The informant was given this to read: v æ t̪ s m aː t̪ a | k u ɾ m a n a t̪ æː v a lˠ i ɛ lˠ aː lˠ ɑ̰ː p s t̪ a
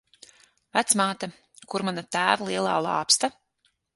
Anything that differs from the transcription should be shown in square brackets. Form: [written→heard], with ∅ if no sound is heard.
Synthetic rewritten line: v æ t̪ s m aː t̪ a | k u ɾ m a n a t̪ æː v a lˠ i ɛ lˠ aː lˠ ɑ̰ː p s t̪ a